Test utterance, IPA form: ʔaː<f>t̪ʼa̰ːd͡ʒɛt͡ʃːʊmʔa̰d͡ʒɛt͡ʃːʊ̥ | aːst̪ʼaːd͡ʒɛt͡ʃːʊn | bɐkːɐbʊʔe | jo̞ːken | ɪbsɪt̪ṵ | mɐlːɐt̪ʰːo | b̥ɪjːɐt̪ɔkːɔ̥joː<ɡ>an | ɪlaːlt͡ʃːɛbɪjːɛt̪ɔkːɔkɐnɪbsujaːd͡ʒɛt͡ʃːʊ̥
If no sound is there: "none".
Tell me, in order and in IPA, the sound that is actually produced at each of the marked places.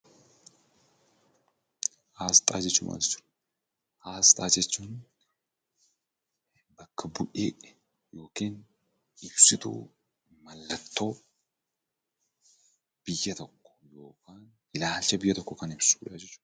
s, k

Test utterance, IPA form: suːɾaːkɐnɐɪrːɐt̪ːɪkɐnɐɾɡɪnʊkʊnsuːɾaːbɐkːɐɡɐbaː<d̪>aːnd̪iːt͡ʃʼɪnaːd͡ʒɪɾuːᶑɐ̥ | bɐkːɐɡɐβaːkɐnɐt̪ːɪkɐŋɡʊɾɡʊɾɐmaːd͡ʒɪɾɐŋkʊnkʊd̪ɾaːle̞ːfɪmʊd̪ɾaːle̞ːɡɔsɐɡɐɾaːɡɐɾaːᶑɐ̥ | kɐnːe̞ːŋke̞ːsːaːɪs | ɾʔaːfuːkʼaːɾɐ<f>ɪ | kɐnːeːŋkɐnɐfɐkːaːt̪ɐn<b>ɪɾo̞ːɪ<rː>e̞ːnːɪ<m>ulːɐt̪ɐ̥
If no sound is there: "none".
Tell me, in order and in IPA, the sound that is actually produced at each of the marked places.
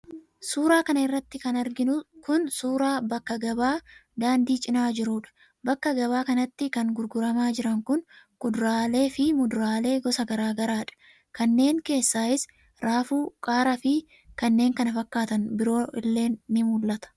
d̪, f, b, lː, m

